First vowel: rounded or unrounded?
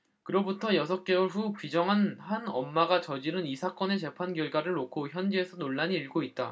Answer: unrounded